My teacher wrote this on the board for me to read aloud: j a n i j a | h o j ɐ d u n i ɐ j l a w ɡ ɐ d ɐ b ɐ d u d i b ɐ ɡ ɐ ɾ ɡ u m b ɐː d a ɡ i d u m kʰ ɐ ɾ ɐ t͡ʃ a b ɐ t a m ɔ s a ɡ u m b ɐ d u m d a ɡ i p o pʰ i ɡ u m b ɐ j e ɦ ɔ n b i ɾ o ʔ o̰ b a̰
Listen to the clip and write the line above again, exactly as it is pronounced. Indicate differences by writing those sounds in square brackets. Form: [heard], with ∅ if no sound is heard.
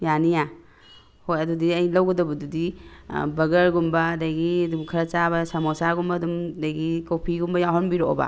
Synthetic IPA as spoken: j a n i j a | h o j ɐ d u [d] i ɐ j l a w ɡ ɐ d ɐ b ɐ d u d i b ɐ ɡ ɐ ɾ ɡ u m b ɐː d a ɡ i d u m kʰ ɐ ɾ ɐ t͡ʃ a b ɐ [s] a m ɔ s a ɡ u m b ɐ d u m d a ɡ i [k] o pʰ i ɡ u m b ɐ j [a] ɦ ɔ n b i ɾ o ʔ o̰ b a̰